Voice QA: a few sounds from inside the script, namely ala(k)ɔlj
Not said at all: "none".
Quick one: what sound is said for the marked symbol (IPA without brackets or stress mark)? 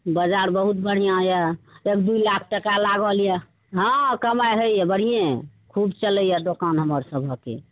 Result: ɡ